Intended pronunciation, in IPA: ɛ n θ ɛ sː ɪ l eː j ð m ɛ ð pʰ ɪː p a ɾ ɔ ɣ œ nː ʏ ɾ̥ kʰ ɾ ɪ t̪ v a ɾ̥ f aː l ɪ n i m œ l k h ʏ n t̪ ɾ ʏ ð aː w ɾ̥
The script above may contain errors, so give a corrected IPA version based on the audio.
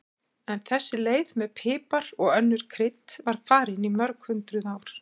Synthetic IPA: ɛ n θ ɛ sː ɪ l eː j ð m ɛ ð pʰ ɪː p a ɾ ɔ ɣ œ nː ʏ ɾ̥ kʰ ɾ ɪ t̪ v a ɾ̥ f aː ɾ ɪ n i m œ ɾ k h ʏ n t̪ ɾ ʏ ð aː w ɾ̥